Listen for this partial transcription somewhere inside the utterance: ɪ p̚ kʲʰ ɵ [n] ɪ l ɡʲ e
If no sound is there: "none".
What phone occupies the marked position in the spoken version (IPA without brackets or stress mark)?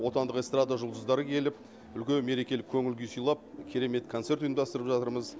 ŋ